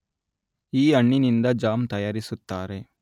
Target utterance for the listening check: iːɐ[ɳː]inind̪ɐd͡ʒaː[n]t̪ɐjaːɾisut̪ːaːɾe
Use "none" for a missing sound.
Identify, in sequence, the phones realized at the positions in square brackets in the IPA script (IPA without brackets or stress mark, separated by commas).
ɳː, m